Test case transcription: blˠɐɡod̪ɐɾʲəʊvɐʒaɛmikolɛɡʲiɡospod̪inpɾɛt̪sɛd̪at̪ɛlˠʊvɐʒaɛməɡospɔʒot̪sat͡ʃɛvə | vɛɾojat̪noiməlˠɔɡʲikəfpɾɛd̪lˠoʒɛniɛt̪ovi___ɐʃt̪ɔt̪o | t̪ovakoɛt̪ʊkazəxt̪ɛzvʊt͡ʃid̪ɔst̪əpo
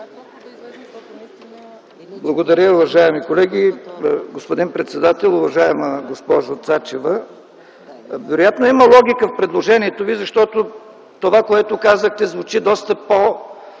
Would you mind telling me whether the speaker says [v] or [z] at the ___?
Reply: z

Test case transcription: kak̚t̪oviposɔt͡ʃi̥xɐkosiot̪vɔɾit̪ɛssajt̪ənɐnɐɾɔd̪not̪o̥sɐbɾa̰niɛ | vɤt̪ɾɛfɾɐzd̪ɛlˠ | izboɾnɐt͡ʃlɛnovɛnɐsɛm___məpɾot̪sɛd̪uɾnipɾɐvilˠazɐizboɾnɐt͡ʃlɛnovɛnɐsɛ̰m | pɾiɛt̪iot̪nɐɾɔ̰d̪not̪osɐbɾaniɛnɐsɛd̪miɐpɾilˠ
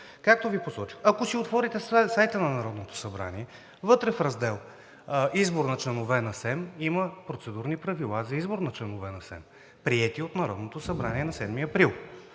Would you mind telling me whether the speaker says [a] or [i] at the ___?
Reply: i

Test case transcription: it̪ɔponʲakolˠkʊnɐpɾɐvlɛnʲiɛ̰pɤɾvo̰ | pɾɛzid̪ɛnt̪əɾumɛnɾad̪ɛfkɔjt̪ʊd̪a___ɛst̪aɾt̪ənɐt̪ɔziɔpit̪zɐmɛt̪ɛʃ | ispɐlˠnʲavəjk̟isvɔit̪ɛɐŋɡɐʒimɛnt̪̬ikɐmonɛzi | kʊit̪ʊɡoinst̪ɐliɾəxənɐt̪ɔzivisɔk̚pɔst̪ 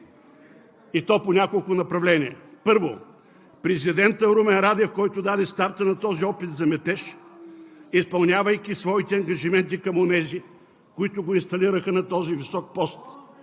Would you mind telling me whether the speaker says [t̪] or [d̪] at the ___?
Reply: d̪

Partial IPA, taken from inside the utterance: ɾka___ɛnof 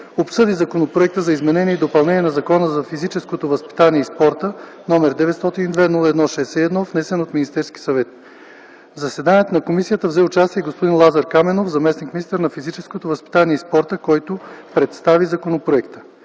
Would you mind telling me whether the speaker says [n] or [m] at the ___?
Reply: m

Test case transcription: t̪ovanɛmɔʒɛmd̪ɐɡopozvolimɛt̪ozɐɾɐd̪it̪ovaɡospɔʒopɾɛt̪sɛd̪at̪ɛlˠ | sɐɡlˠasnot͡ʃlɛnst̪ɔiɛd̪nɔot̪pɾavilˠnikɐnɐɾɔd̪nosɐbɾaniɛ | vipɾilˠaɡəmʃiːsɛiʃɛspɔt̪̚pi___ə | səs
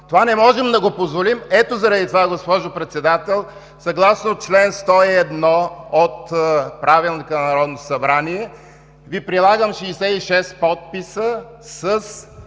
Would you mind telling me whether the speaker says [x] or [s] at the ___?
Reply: s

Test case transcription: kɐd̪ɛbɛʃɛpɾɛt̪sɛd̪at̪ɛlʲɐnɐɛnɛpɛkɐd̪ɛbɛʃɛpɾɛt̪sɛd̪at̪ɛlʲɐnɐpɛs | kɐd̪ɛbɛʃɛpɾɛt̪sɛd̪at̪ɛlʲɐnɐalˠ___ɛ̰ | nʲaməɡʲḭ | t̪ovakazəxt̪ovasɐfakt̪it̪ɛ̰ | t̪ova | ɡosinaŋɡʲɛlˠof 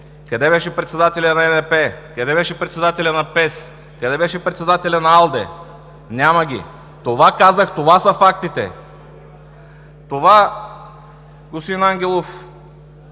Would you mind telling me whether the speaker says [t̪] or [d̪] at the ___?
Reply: d̪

